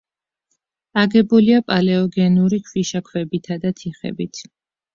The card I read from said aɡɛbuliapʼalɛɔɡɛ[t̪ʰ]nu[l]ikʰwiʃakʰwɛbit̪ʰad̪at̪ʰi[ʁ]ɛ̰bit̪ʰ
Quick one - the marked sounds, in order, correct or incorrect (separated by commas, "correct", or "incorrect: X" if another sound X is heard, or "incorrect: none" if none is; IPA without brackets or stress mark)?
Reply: incorrect: none, incorrect: ɾ, incorrect: χ